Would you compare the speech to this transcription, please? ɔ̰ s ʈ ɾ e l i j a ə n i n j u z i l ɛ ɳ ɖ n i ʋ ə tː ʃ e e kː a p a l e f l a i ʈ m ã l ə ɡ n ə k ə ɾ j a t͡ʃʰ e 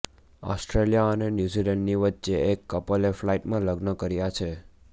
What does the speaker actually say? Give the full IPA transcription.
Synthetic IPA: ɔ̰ s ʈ ɾ e l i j a ə n e n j u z i l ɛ ɳ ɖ n i ʋ ə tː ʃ e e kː ə p ə l e f l a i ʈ m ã l ə ɡ n ə k ə ɾ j a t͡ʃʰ e